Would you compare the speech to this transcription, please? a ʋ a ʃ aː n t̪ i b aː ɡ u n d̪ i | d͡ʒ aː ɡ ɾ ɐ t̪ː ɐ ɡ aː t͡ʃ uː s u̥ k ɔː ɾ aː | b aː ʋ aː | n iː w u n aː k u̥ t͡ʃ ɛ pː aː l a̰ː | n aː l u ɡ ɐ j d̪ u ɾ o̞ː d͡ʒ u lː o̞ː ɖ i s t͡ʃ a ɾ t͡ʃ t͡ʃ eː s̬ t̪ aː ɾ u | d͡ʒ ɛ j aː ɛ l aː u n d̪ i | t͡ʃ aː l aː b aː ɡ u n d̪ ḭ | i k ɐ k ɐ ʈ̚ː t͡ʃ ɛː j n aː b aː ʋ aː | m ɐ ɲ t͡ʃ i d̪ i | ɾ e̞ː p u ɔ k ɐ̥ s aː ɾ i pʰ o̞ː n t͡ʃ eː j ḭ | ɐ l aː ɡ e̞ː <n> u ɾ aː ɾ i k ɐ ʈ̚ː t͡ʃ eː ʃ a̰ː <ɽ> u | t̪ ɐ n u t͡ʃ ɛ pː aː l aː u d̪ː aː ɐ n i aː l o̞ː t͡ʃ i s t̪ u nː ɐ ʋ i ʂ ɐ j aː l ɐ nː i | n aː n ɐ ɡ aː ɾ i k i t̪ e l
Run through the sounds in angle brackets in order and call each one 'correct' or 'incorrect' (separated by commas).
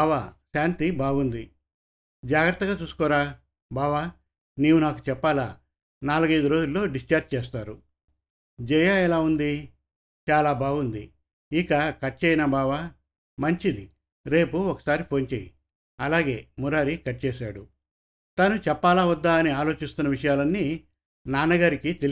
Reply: incorrect, correct